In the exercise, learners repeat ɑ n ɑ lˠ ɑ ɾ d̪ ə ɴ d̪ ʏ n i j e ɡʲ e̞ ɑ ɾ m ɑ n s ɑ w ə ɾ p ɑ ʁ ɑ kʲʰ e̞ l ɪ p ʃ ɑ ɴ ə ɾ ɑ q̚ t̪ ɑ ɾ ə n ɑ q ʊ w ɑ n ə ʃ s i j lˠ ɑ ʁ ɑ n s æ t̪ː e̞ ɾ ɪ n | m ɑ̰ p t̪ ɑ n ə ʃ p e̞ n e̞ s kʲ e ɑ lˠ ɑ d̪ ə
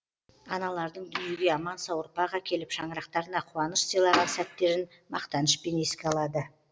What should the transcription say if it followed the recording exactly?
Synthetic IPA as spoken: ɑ n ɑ lˠ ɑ ɾ d̪ ə ɴ d̪ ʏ n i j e ɡʲ e̞ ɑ m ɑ n s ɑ w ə ɾ p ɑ ʁ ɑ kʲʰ e̞ l ɪ p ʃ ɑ ɴ ə ɾ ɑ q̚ t̪ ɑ ɾ ə n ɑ qʰ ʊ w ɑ n ə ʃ s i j lˠ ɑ ʁ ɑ n s æ t̪ː e̞ ɾ ɪ n | m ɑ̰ q t̪ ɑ n ə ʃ p e̞ n e̞ s kʲ e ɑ lˠ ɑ d̪ ə